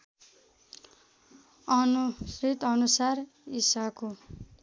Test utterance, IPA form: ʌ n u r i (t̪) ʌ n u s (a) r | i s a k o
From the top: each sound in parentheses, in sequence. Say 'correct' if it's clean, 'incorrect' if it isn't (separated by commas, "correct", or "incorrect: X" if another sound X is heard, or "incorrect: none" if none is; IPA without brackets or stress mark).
correct, correct